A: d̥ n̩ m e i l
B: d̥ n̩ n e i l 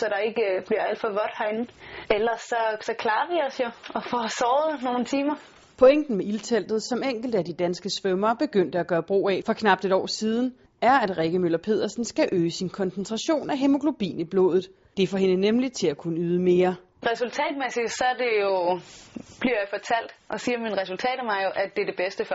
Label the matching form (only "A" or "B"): A